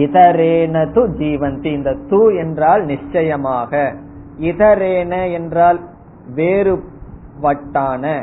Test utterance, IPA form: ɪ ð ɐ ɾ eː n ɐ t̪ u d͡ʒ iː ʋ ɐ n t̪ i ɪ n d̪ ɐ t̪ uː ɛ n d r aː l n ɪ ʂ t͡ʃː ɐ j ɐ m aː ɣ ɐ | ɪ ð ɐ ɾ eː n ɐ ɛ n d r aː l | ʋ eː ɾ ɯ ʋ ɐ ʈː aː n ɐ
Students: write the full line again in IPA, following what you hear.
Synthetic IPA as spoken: ɪ ð ɐ ɾ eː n ɐ t̪ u d͡ʒ iː ʋ ɐ n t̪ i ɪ n d̪ ɐ t̪ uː ɛ n d r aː l n ɪ ʂ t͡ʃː ɐ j ɐ m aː ɣ ɐ | ɪ ð ɐ ɾ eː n ɐ ɛ n d r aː l | ʋ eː ɾ ɯ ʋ ɐ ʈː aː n ɐ